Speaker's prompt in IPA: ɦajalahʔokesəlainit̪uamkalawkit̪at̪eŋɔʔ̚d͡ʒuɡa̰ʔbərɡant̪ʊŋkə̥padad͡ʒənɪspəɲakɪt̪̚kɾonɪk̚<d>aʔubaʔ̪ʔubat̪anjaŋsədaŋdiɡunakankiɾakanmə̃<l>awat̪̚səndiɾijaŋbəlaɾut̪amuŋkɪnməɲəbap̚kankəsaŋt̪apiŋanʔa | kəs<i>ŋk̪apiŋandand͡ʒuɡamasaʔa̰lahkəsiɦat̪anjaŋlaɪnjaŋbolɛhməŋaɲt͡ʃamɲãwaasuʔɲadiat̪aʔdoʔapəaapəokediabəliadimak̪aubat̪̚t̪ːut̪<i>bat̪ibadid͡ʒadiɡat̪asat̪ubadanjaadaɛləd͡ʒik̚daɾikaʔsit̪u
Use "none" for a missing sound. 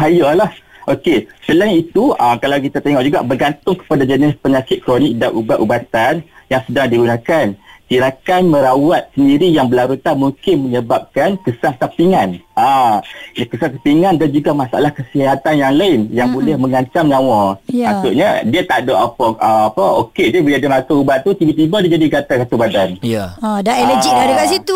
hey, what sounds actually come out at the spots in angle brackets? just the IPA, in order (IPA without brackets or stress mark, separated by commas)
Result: d, ɾ, a, i